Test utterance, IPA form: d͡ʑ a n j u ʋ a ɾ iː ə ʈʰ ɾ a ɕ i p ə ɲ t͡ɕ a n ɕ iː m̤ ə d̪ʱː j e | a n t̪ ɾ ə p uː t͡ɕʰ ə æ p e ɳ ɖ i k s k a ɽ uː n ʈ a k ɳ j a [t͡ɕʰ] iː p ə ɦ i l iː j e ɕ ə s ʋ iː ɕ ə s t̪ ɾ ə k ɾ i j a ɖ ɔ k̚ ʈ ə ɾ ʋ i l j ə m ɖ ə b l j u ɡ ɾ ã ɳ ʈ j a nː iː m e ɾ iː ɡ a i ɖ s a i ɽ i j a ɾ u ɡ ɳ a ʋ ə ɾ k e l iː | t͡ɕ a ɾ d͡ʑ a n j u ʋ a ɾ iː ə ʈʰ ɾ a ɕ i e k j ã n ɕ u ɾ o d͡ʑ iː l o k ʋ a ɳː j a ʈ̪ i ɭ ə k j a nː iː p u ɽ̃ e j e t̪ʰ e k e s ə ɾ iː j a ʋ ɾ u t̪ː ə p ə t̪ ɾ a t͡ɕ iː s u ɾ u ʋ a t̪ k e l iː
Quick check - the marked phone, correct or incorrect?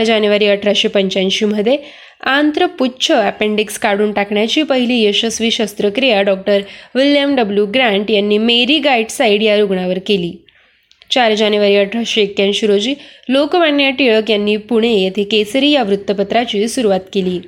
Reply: incorrect